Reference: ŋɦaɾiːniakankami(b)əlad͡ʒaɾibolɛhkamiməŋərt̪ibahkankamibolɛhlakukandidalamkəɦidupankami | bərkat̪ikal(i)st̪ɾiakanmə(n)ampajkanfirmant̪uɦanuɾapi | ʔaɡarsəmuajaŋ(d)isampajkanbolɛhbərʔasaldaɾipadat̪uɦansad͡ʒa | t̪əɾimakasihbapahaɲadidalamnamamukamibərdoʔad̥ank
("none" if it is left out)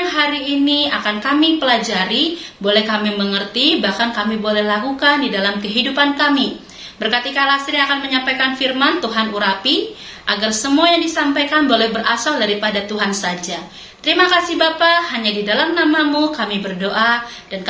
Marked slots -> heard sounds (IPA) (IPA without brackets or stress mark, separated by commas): p, a, ɲ, d